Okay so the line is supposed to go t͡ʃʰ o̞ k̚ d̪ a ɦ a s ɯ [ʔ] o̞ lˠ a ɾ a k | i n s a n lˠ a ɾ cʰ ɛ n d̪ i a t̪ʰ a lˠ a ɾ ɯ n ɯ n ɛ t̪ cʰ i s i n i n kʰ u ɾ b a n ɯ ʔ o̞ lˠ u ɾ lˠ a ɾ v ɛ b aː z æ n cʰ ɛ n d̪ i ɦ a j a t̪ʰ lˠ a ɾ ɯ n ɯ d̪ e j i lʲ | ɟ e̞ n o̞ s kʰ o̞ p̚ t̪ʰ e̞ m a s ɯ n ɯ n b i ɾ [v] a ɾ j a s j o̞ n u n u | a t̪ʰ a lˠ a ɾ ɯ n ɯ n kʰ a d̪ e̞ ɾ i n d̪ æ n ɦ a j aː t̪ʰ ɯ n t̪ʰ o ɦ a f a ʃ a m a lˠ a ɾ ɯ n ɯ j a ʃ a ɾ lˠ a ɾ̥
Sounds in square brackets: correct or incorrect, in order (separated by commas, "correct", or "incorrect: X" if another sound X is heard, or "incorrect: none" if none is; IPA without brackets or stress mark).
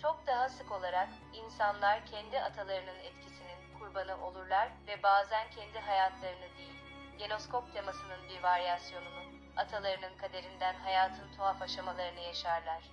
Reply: incorrect: k, correct